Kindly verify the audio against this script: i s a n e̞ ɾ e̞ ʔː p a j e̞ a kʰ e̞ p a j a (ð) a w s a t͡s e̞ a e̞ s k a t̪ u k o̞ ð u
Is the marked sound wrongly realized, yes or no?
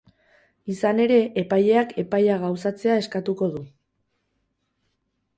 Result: yes